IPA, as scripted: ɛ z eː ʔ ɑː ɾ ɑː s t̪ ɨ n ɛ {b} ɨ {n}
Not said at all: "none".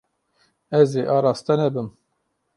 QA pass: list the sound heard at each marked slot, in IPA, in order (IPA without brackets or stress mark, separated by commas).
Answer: b, m